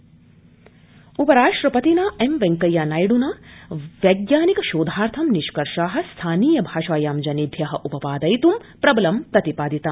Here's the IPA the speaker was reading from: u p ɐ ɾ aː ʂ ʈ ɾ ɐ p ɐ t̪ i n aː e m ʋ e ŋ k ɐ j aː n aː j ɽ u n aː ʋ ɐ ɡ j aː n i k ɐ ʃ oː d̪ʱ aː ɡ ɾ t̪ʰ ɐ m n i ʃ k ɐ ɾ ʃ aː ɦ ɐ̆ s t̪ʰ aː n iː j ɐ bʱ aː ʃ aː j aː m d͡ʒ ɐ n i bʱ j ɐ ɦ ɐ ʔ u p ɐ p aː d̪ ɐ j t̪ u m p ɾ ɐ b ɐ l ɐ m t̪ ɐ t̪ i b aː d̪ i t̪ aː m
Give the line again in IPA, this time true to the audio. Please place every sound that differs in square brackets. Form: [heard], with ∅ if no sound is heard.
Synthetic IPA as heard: u p ɐ ɾ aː ʂ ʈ ɾ ɐ p ɐ t̪ i n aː e m ʋ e ŋ k ɐ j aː n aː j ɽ u n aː ʋ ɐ ɡ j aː n i k ɐ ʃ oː d̪ʱ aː [∅] ɾ t̪ʰ ɐ m n i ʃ k ɐ ɾ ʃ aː ɦ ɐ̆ s t̪ʰ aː n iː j ɐ bʱ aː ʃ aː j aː m d͡ʒ ɐ n i bʱ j ɐ ɦ ɐ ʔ u p ɐ p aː d̪ ɐ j t̪ u m p ɾ ɐ b ɐ l ɐ m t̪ ɐ t̪ i [p] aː d̪ i t̪ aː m

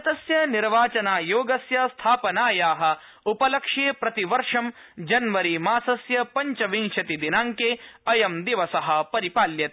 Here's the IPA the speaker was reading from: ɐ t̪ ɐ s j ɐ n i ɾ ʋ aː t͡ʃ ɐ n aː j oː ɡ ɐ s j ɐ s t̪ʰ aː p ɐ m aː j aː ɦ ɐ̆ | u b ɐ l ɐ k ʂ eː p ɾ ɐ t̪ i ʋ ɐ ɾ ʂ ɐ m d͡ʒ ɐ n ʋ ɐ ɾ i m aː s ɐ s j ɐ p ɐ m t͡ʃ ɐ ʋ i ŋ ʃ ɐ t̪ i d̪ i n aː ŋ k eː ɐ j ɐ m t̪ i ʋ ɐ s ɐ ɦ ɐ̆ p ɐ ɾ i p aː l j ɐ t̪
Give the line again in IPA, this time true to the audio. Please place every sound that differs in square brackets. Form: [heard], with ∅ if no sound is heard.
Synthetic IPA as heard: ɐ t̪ ɐ s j ɐ n i ɾ ʋ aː t͡ʃ ɐ n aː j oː ɡ ɐ s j ɐ s t̪ʰ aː p ɐ [n] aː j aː ɦ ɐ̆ | u [p] ɐ l ɐ k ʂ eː p ɾ ɐ t̪ i ʋ ɐ ɾ ʂ ɐ m d͡ʒ ɐ n ʋ ɐ ɾ i m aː s ɐ s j ɐ p ɐ [ɲ] t͡ʃ ɐ ʋ i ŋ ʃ ɐ t̪ i d̪ i n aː ŋ k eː ɐ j ɐ m [d̪] i ʋ ɐ s ɐ ɦ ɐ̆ p ɐ ɾ i p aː l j ɐ t̪

